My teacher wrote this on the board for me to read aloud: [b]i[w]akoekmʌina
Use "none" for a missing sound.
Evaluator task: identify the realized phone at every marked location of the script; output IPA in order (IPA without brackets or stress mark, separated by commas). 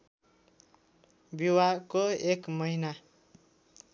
b, w